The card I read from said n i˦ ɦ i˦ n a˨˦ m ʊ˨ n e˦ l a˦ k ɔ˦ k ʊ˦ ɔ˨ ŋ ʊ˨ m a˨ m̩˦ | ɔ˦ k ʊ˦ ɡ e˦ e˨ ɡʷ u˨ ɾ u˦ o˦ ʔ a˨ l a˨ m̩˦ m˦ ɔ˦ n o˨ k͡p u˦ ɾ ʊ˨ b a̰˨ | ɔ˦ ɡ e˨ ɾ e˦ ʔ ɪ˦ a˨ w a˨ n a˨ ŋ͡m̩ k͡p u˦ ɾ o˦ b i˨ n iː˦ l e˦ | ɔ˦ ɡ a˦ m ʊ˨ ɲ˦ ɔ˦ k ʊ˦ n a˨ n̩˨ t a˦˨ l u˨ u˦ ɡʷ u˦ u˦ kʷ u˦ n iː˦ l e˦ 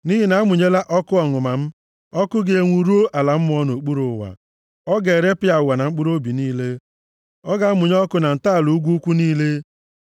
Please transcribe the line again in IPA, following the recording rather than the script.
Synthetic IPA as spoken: n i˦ ɦ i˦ n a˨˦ m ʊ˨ ɲ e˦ l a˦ ʔ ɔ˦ k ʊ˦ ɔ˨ ŋ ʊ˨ m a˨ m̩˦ | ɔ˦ k ʊ˦ ɡ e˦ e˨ ŋʷ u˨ ɾ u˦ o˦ ʔ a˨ l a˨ m̩˦ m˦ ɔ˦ n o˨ k͡p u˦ ɾ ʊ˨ w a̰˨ | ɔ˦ ɡ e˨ ɾ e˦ p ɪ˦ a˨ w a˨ n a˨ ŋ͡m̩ k͡p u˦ ɾ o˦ b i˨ n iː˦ l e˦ | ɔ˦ ɡ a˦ m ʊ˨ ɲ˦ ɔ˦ k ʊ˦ n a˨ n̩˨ t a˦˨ l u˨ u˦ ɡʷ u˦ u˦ kʷ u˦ n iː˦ l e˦